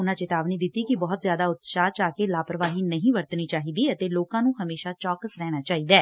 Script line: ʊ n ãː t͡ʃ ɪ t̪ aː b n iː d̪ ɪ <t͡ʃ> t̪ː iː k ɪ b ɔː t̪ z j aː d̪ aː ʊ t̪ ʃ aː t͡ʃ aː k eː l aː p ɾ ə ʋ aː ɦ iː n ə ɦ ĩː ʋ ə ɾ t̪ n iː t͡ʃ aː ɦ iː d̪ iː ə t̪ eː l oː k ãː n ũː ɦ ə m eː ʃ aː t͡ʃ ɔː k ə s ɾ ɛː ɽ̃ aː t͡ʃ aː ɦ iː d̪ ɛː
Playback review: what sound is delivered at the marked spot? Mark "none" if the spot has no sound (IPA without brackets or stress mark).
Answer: none